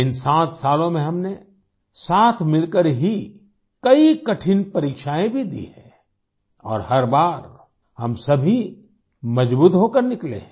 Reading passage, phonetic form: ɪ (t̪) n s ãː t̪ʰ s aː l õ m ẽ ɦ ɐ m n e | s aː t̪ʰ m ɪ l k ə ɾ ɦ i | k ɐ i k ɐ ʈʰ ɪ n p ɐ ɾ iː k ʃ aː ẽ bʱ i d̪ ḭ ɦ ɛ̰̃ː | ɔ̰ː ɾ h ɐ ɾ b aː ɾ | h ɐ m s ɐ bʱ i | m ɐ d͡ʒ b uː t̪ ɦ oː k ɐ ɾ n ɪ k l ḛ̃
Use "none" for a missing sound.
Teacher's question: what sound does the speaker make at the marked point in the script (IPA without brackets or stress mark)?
none